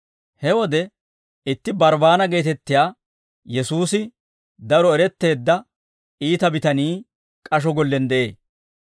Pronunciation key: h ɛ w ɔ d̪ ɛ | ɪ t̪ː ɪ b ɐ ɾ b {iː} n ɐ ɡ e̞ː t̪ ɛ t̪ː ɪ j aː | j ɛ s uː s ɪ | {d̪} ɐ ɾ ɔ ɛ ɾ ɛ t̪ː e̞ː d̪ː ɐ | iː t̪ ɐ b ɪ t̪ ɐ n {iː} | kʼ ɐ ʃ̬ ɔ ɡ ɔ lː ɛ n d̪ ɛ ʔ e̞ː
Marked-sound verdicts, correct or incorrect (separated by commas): incorrect, correct, correct